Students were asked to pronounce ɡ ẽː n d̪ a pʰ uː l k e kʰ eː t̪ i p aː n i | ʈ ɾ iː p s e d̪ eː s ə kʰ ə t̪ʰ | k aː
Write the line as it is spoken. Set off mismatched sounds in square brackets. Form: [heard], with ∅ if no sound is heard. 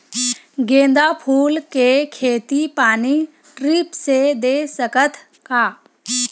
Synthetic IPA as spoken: ɡ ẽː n d̪ a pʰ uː l k e kʰ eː t̪ i p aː n i | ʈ ɾ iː p s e d̪ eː s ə [k] ə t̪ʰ | k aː

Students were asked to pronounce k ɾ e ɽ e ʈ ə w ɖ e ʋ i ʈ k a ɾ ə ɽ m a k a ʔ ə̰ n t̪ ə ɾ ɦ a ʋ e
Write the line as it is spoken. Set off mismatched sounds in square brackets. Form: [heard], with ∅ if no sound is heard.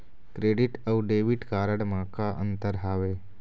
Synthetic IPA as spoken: k ɾ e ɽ [i] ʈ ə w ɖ e ʋ i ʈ k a ɾ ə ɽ m a k a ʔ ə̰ n t̪ ə ɾ ɦ a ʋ e

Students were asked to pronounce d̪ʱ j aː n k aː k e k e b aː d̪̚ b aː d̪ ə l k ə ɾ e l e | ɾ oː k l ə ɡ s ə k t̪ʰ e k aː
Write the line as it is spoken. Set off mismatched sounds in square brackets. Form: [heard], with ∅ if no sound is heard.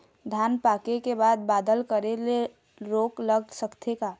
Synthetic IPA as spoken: d̪ʱ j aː n [p] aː k e k e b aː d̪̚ b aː d̪ ə l k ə ɾ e l e | ɾ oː k l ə ɡ s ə k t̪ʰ e k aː

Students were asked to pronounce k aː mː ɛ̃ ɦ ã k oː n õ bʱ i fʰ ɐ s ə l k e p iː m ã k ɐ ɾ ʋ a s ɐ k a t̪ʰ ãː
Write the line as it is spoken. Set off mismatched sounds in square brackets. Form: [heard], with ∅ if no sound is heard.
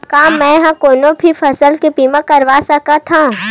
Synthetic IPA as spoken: k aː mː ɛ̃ ɦ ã k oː n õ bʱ i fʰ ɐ s ə l k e p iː m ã k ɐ ɾ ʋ a s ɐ k a t̪ʰ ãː

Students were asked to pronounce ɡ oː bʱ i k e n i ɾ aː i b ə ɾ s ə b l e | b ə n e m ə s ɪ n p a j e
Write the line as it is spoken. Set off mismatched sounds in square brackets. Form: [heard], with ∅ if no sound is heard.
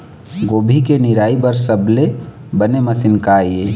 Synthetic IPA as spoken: ɡ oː bʱ i k e n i ɾ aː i b ə ɾ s ə b l e | b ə n e m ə s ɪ n [k] a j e

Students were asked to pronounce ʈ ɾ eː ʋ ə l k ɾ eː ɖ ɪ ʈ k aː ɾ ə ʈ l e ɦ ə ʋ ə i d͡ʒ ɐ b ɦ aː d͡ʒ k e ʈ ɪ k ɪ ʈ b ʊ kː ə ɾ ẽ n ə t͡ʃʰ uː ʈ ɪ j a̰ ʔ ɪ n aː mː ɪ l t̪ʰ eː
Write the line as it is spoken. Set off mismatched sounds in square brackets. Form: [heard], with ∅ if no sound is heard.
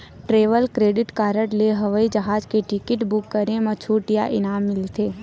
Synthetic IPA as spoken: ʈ ɾ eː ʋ ə l k ɾ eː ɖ ɪ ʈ k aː ɾ ə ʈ l e ɦ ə ʋ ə i d͡ʒ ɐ [∅] ɦ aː d͡ʒ k e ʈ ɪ k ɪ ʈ b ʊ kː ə ɾ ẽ [m] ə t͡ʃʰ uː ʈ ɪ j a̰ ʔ ɪ n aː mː ɪ l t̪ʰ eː

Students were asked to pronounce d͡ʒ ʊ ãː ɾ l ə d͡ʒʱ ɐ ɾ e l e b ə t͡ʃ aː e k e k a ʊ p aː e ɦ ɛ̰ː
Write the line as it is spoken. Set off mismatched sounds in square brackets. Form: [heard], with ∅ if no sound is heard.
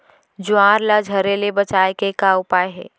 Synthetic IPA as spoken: d͡ʒ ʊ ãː ɾ l [a] d͡ʒʱ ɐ ɾ e l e b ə t͡ʃ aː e k e k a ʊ p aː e ɦ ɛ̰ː

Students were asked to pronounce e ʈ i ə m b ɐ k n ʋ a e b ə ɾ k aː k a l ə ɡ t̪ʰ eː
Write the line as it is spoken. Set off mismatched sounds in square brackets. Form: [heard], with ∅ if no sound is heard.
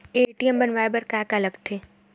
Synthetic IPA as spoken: e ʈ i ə m b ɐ [∅] n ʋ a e b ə ɾ k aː k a l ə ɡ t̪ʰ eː

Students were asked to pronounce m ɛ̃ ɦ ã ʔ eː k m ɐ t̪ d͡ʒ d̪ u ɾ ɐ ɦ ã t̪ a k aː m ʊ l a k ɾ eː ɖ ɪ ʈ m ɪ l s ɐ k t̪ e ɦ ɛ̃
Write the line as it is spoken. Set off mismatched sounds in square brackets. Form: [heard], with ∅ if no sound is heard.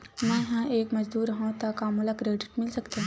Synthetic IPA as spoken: m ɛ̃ ɦ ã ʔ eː k m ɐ [∅] d͡ʒ d̪ [uː] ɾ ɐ ɦ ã t̪ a k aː m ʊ l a k ɾ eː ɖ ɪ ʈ m ɪ l s ɐ k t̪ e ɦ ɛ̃

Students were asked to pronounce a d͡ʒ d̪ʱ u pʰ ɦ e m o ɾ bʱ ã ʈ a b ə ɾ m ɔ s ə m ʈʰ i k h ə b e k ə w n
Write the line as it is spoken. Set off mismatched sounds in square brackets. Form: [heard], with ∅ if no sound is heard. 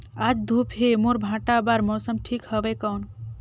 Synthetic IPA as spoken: a d͡ʒ d̪ʱ u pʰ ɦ e m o ɾ bʱ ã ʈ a b [a] ɾ m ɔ s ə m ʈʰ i k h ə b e k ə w n

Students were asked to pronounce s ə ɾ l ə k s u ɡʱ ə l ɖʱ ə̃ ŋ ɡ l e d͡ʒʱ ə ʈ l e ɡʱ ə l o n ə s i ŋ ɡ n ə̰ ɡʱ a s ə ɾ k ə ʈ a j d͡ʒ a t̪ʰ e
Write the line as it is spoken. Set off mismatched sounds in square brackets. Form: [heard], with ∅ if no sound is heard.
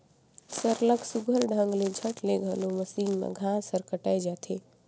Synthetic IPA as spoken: s ə ɾ l ə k s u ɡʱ ə l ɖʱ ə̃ ŋ ɡ l e d͡ʒʱ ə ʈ l e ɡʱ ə l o [m] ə s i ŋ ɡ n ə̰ ɡʱ a s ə ɾ k ə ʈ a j d͡ʒ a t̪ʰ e

